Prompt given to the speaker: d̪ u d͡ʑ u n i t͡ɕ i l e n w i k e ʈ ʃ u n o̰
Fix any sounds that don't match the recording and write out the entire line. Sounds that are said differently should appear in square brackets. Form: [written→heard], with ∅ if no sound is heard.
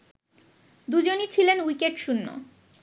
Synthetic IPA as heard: d̪ u d͡ʑ [u→o] n i [t͡ɕ→t͡ɕʰ] i l e n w i k e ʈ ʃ u [n→nː] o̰